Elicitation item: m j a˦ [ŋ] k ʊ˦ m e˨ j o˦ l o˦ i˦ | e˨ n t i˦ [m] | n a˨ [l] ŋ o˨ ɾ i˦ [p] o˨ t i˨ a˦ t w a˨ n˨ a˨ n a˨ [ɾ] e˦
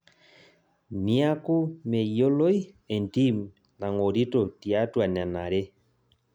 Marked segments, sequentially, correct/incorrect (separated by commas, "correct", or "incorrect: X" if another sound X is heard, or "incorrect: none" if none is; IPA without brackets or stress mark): incorrect: none, correct, incorrect: none, incorrect: t, correct